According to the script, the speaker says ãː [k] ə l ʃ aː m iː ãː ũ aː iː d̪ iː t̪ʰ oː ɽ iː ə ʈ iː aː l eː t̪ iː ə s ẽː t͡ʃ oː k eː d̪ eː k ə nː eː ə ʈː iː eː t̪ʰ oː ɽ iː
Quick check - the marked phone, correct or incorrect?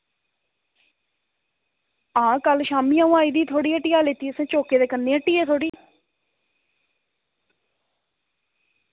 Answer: correct